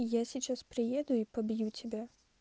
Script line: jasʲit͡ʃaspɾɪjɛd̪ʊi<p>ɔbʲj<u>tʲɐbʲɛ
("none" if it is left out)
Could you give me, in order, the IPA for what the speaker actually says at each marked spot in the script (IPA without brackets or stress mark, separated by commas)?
p, u